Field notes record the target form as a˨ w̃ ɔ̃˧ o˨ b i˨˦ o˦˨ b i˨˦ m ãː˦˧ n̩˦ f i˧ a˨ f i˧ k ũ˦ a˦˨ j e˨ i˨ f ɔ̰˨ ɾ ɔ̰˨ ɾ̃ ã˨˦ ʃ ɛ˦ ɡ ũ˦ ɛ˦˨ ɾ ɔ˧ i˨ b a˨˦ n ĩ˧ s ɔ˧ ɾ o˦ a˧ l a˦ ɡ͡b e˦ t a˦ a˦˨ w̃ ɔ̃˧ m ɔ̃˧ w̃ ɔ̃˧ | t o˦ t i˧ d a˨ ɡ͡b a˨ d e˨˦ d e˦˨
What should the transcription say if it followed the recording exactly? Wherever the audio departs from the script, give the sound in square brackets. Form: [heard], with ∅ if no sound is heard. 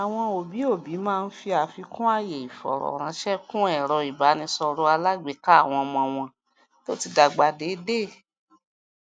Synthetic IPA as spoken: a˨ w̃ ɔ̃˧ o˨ b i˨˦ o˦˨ b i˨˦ m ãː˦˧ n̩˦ f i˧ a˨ f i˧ k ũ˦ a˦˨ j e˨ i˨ f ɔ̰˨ ɾ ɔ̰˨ ɾ̃ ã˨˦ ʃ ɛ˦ [k] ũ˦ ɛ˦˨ ɾ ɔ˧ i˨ b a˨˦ n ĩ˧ s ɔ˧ ɾ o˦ a˧ l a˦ ɡ͡b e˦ [k] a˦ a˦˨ w̃ ɔ̃˧ m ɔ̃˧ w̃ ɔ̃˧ | t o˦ t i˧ d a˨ ɡ͡b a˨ d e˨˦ d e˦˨